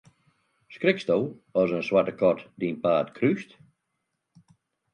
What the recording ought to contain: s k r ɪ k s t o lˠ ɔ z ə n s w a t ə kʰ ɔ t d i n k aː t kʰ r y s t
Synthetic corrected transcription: s k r ɪ k s t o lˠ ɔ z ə n s w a t ə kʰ ɔ t d i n p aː t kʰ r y s t